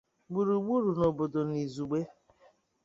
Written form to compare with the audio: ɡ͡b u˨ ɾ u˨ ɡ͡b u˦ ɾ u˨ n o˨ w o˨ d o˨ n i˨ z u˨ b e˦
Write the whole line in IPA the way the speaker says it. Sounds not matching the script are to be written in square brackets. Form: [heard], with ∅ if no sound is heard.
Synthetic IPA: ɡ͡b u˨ ɾ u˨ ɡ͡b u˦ ɾ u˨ n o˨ [b] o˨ d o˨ n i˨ z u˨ [ɡ͡b] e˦